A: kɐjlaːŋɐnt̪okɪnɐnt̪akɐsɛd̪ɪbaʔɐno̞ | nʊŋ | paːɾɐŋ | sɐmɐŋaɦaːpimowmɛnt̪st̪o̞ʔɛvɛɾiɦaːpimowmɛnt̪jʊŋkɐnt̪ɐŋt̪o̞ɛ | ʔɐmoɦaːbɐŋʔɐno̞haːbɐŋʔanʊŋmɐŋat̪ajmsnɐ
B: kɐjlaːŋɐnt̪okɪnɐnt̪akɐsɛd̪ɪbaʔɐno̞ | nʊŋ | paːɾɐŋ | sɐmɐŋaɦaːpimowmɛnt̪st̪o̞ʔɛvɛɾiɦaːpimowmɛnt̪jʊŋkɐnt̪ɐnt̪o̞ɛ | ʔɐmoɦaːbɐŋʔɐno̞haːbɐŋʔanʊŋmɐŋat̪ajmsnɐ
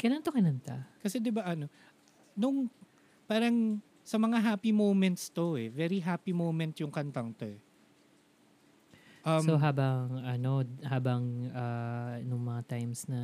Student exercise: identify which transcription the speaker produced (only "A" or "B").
A